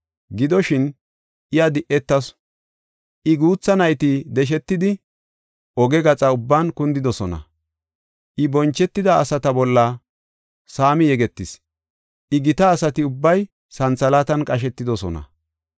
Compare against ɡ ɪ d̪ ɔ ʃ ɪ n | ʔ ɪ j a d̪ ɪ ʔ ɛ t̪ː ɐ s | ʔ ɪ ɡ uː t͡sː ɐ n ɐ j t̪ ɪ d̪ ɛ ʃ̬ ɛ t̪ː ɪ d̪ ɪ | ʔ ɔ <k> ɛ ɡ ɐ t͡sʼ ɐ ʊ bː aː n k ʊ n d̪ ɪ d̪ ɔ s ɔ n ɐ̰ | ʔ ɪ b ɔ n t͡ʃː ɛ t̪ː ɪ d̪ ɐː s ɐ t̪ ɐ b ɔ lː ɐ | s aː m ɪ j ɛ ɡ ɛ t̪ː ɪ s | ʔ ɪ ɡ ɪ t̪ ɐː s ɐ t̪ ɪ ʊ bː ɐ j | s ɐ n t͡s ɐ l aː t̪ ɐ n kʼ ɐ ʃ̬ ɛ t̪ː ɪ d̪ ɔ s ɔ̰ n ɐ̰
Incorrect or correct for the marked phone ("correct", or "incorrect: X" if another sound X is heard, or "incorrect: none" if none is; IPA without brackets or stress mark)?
incorrect: ɡ